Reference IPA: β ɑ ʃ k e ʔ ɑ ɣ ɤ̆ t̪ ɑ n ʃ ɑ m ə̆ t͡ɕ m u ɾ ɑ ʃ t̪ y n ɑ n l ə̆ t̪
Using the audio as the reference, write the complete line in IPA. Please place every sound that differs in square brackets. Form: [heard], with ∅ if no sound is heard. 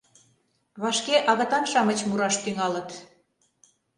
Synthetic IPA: β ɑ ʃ k e ʔ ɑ ɣ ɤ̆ t̪ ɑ n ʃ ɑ m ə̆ t͡ɕ m u ɾ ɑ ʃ t̪ y [ŋ] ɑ [∅] l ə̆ t̪